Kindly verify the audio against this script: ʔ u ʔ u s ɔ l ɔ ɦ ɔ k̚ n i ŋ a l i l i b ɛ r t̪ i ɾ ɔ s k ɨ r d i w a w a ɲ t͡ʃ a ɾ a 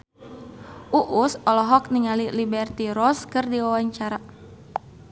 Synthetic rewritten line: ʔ u ʔ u s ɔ l ɔ ɦ ɔ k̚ n i ŋ a l i l i b ɛ r t̪ i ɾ ɔ s k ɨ r d i w a w a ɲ t͡ʃ a ɾ a